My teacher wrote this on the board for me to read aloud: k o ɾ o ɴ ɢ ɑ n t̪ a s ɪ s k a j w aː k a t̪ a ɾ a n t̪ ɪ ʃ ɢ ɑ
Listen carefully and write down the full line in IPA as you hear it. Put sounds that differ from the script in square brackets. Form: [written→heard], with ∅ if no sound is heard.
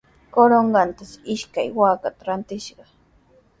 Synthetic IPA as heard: k o ɾ o ɴ ɢ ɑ n t̪ a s ɪ [s→ʃ] k a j w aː k a t̪ a ɾ a n t̪ ɪ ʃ ɢ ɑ